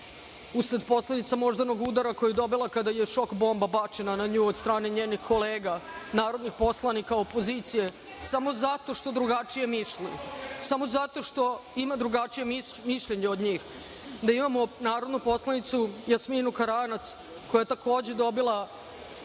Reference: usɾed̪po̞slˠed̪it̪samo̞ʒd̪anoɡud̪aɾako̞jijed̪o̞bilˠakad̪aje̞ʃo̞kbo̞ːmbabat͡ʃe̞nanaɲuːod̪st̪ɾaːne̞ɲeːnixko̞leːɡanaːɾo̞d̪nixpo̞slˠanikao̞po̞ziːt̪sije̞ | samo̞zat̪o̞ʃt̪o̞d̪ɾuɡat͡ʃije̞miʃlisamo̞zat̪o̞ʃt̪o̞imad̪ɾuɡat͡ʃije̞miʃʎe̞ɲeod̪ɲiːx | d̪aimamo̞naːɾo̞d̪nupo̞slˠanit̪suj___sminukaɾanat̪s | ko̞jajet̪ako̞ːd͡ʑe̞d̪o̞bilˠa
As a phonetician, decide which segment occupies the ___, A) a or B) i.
A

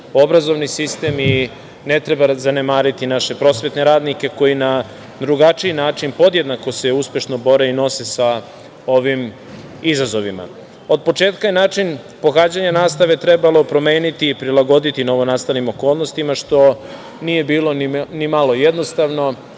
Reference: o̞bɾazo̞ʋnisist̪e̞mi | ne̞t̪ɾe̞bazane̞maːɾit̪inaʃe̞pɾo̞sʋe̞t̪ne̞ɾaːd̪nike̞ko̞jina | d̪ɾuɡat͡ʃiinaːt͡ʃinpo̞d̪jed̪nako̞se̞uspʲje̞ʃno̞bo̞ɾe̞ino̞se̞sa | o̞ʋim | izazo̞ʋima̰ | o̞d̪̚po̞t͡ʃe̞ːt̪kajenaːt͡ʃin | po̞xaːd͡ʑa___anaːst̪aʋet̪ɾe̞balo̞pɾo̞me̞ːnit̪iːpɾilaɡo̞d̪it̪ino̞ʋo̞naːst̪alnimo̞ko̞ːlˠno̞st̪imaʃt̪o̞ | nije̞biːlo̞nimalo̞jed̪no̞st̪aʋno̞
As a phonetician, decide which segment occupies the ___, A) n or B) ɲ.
B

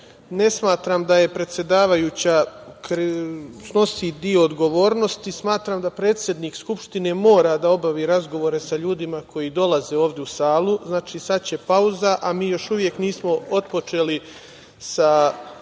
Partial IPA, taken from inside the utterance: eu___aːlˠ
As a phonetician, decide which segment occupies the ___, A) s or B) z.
A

